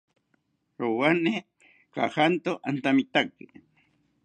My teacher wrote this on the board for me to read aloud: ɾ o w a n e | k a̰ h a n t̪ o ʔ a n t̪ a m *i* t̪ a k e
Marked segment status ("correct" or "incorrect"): correct